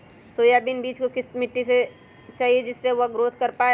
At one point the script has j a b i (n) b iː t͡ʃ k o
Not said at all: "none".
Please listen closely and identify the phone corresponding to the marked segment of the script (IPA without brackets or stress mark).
n